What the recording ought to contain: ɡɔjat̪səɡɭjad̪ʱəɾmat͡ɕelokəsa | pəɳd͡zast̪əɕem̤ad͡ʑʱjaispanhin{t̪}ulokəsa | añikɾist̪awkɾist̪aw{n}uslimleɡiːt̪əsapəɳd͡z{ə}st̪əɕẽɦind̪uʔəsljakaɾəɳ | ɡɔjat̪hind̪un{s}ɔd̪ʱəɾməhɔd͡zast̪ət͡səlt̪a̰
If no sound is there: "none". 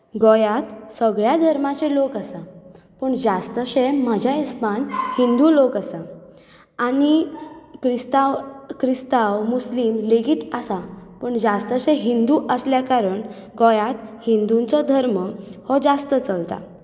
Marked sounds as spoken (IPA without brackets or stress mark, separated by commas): d̪, m, a, t͡s